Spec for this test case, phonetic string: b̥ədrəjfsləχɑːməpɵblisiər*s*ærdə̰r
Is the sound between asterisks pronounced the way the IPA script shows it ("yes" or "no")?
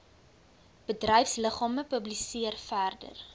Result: no